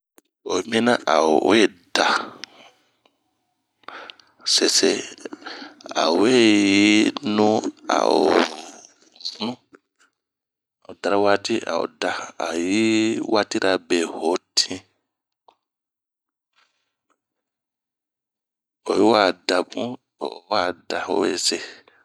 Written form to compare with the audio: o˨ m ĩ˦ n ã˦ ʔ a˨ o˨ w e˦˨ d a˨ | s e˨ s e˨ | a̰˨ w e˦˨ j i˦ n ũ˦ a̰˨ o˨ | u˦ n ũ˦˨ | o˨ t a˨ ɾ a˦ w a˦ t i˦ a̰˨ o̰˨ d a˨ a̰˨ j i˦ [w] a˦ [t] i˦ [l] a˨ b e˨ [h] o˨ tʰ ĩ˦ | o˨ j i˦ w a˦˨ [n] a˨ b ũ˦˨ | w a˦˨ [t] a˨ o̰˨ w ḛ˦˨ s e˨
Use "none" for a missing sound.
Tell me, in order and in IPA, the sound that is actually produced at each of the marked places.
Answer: w, t, ɾ, h, d, d

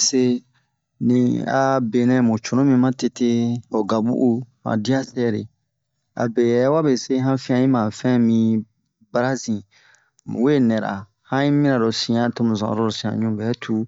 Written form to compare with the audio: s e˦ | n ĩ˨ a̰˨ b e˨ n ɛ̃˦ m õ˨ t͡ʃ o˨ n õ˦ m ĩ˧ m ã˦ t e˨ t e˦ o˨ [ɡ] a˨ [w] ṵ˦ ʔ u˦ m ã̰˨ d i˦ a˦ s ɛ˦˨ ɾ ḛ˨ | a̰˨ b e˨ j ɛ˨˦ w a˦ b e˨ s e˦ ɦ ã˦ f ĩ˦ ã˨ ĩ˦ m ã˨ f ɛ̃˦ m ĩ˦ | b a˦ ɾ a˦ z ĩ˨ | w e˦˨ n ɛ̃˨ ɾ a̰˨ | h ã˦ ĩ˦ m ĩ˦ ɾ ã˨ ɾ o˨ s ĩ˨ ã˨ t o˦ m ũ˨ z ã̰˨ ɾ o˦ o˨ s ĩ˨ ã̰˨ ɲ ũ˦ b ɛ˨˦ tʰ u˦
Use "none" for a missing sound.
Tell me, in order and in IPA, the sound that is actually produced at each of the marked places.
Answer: ɡ, b

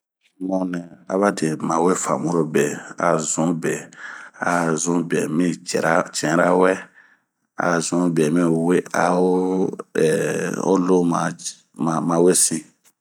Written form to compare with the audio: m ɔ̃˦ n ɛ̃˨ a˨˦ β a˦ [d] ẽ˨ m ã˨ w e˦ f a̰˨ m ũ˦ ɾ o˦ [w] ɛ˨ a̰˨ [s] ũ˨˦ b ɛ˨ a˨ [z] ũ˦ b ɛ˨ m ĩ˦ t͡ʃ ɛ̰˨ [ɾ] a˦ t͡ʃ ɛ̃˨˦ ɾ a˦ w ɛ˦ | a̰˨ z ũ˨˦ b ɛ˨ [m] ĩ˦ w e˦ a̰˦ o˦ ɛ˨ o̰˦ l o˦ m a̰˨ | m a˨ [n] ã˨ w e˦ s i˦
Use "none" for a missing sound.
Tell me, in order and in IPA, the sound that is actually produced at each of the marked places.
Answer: d, b, z, z, ɾ, m, m

